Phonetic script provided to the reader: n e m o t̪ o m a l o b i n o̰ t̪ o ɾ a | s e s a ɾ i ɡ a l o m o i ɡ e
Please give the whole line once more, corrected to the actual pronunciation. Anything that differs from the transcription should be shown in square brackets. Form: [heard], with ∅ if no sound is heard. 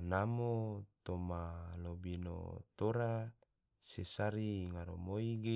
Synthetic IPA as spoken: n [a] m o t̪ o m a l o b i n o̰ t̪ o ɾ a | s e s a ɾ i [ŋ] a [ɾ] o m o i ɡ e